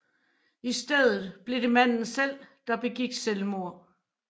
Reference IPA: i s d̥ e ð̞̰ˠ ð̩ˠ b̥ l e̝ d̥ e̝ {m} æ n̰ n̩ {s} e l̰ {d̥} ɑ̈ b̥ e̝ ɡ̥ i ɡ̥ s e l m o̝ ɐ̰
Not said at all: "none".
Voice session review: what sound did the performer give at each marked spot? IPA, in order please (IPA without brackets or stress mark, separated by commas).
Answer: m, s, d̥